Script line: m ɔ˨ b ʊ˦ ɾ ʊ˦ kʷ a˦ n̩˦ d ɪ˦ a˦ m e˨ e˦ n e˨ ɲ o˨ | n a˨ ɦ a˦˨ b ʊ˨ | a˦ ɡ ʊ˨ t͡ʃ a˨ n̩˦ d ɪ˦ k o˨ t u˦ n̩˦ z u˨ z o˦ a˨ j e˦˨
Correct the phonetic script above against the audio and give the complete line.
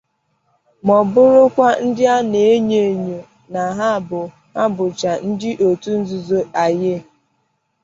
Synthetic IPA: m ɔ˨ b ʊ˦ ɾ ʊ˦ kʷ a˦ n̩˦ d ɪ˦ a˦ n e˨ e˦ ɲ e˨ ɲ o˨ | n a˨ ɦ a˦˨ b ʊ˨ | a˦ b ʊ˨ t͡ʃ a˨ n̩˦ d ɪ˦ ʔ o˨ t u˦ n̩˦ z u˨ z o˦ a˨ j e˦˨

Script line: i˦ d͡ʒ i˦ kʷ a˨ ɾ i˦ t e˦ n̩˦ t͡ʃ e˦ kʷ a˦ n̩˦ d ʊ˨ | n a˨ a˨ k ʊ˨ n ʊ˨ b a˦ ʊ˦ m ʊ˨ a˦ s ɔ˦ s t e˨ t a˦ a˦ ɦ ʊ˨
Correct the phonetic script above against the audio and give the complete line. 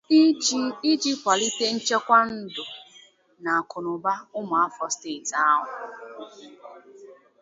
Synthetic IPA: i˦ d͡ʒ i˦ kʷ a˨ l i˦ t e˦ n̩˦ t͡ʃ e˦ kʷ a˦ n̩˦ d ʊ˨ | n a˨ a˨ k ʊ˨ n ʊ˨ b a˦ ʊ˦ m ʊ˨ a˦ f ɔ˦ s t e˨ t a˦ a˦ ɦ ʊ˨

